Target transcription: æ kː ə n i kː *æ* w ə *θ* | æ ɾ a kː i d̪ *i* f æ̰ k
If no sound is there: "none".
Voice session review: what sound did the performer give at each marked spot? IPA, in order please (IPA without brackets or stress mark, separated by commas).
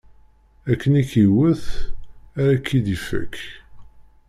i, θ, i